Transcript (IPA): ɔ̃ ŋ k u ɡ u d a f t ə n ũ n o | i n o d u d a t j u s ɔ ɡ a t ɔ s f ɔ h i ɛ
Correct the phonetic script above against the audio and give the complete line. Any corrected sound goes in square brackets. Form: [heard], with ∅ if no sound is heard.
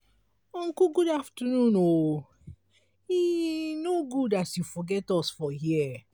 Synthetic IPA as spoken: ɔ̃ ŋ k u ɡ u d a f t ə n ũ n o | i n o [ɡ] u d a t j u [f] ɔ ɡ [ɛ] t ɔ s f ɔ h i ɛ